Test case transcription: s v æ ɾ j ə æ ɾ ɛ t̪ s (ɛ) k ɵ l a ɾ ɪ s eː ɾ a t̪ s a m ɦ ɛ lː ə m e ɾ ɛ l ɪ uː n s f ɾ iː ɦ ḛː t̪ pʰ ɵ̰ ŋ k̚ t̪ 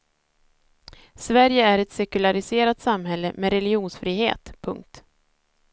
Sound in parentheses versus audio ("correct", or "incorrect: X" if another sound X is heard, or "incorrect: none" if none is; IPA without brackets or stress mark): correct